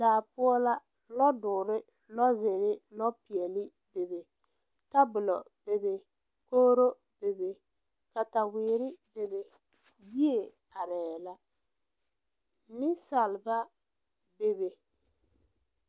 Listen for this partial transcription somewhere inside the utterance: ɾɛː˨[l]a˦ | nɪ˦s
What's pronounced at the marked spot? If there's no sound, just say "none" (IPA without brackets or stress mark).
l